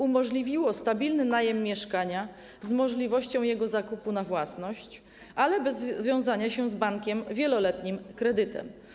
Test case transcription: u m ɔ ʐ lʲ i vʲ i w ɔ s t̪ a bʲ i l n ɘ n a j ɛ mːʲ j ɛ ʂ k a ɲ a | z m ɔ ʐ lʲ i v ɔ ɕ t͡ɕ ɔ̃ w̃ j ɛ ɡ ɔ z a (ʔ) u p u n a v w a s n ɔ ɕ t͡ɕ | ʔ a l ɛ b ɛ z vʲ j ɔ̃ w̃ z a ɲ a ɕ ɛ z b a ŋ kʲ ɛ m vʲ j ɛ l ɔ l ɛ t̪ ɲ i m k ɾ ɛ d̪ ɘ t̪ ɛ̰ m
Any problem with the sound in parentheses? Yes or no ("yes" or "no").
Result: yes